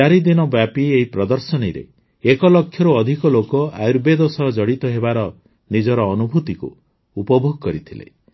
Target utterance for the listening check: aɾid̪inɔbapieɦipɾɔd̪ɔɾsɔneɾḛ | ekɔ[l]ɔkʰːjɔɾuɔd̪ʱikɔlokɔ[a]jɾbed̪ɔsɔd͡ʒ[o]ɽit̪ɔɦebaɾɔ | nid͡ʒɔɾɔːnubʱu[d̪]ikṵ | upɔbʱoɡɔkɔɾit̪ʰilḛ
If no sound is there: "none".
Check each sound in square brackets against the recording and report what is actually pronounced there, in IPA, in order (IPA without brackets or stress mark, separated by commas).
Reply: l, a, ɔ, t̪